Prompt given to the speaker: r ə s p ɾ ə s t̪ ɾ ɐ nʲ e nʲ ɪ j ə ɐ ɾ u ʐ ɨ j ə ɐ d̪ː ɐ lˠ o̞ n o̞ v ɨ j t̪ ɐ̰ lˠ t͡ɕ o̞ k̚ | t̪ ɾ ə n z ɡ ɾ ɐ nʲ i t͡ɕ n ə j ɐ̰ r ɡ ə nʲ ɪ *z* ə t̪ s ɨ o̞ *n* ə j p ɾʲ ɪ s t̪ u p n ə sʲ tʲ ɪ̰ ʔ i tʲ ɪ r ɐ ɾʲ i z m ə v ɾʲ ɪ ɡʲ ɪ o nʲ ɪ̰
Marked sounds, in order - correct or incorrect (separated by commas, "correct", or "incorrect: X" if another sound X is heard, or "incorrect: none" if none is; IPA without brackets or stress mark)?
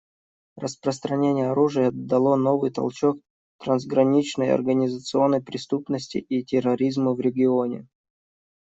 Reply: correct, incorrect: nː